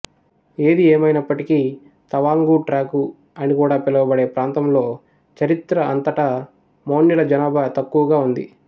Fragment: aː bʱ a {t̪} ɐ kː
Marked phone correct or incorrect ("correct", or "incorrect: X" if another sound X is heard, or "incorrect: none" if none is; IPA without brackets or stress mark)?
correct